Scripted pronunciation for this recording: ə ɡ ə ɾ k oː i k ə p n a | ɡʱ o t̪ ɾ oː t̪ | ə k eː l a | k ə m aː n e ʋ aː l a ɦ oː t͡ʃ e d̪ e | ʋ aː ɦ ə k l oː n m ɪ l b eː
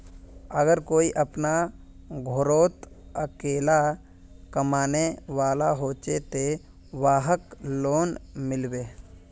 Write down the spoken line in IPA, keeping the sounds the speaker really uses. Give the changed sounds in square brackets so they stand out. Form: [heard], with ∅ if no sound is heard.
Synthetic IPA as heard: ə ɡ ə ɾ k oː i [ʔ] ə p n a | ɡʱ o [∅] ɾ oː t̪ | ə k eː l a | k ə m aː n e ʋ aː l a ɦ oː t͡ʃ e [t̪] e | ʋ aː ɦ ə k l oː n m ɪ l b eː